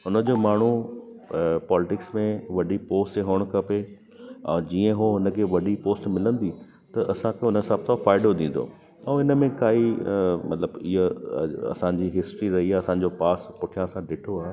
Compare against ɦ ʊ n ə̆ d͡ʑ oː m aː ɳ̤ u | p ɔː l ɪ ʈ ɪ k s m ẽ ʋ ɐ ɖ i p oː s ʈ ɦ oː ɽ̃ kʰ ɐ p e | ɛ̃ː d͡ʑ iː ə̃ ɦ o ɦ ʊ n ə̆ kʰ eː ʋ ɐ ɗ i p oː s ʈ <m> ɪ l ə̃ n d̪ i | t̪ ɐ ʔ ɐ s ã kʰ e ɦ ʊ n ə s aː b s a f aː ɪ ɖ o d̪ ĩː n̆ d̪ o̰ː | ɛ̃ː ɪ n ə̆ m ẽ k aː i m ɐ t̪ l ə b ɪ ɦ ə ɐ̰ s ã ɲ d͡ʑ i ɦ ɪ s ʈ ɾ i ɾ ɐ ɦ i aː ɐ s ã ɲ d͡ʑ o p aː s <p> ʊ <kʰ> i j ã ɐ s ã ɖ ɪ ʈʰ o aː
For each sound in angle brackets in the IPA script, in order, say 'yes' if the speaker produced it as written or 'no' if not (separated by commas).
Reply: yes, yes, no